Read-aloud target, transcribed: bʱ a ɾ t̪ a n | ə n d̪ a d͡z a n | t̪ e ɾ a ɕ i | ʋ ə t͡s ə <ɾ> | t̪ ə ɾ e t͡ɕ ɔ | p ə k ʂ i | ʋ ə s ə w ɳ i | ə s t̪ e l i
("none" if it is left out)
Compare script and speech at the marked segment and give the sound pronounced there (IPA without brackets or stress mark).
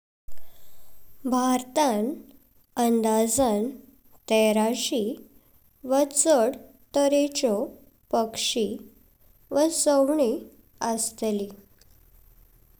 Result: ɽ